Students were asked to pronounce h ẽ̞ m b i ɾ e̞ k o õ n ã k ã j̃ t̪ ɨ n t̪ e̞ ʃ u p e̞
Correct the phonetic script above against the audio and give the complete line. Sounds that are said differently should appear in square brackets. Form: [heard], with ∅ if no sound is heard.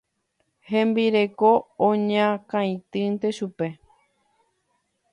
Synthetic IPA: h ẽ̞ m b i ɾ e̞ k o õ [ɲ] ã k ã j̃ t̪ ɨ n t̪ e̞ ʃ u p e̞